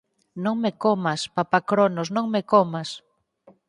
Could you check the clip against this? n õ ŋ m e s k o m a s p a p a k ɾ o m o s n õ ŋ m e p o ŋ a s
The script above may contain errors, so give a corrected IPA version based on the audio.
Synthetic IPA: n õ ŋ m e k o m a s p a p a k ɾ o n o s n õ ŋ m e k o m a s